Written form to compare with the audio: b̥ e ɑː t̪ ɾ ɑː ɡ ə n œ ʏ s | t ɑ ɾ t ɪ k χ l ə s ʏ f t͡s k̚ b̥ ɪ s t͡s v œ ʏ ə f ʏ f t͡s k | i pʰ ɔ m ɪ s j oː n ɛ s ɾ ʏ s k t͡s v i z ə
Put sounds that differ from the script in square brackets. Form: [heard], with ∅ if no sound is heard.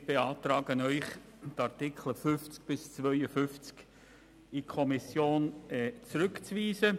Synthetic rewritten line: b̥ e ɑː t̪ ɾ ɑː ɡ ə n œ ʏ [χ] | t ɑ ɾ t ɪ k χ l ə [f] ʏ f t͡s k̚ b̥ ɪ s t͡s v œ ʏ ə f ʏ f t͡s k | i [kʰ] ɔ m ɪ s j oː n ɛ [t͡s] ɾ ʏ [∅] k t͡s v [iː] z ə